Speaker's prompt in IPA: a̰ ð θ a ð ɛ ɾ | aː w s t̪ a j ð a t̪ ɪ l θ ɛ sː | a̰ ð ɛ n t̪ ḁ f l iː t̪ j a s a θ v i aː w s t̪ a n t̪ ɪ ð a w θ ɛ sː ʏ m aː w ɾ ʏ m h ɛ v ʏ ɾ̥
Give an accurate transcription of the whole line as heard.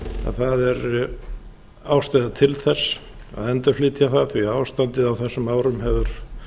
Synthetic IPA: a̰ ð θ a ð ɛ ɾ | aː w s t̪ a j ð a t̪ʰ ɪ l θ ɛ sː | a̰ ð ɛ n t̪ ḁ f l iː t̪ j a θ a θ v i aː w s t̪ a n t̪ ɪ ð a w θ ɛ sː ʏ m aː w ɾ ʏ m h ɛ v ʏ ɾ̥